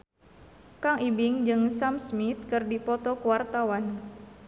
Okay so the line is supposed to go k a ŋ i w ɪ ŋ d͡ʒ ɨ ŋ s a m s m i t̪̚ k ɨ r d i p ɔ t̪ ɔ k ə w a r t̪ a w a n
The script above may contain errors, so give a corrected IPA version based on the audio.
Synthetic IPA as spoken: k a ŋ i b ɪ ŋ d͡ʒ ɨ ŋ s a m s m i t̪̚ k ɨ r d i p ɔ t̪ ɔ k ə w a r t̪ a w a n